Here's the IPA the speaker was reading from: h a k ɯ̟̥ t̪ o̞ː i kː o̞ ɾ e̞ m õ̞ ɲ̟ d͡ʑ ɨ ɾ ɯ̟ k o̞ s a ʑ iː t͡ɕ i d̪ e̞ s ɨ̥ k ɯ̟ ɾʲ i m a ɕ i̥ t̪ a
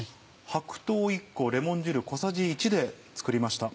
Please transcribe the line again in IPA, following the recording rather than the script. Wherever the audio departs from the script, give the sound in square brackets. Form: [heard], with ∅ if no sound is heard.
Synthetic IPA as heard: h a k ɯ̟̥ t̪ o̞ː i kː o̞ ɾ e̞ m õ̞ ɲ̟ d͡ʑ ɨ ɾ ɯ̟ k o̞ s a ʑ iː t͡ɕ i d̪ e̞ [t͡s] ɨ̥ k ɯ̟ ɾʲ i m a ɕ i̥ t̪ a

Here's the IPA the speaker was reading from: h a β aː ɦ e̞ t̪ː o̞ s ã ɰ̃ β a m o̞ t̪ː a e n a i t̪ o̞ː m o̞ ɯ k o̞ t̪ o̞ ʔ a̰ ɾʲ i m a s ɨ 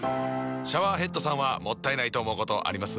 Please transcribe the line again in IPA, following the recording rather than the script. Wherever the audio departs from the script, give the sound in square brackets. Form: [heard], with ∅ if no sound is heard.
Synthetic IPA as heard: [ɕ] a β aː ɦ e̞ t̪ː o̞ s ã ɰ̃ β a m o̞ t̪ː a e n a i t̪ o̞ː m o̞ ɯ k o̞ t̪ o̞ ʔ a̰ ɾʲ i m a s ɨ

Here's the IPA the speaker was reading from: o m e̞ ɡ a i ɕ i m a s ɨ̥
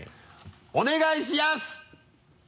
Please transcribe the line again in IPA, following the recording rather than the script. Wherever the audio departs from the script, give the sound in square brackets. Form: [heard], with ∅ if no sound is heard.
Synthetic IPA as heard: o [n] e̞ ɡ a i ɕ i m a s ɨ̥

